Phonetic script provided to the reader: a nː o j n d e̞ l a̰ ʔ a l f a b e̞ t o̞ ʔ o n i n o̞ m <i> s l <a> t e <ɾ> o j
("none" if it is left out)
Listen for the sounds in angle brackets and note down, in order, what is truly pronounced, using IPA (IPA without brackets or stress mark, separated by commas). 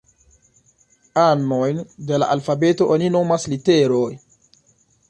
a, i, ɾ